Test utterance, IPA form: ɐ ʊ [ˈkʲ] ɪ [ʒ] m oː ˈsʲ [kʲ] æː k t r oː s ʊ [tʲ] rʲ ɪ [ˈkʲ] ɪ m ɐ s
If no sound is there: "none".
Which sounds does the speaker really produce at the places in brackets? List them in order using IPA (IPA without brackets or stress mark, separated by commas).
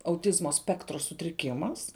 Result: tʲ, z, pʲ, tʲ, kʲ